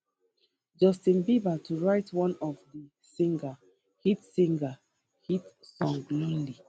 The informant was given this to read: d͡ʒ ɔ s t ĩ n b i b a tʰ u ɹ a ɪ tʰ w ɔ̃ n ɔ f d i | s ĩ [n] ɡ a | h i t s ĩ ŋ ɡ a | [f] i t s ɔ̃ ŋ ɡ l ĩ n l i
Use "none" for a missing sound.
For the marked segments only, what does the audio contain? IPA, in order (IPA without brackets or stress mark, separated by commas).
ŋ, h